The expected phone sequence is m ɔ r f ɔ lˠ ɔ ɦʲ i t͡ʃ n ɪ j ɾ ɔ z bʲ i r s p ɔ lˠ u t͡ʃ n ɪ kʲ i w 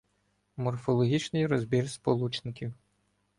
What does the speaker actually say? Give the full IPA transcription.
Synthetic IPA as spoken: m ɔ r f ɔ lˠ ɔ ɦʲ i t͡ʃ n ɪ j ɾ ɔ z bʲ i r s p ɔ lˠ u t͡ʃ n ɪ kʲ i w